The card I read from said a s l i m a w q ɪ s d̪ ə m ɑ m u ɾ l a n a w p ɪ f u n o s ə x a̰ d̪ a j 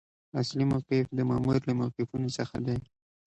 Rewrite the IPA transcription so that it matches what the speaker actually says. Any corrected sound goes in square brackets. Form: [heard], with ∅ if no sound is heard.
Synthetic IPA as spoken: a s l i m a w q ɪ [f] d̪ ə m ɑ m u ɾ l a [m] a w [q] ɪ f u n o s ə x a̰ d̪ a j